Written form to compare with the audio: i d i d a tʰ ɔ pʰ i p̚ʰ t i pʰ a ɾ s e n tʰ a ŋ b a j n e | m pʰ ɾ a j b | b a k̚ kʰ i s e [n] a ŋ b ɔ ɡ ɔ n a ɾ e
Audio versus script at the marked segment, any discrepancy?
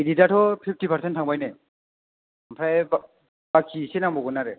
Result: no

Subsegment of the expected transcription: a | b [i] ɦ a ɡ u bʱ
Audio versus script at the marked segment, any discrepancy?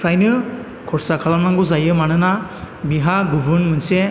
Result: no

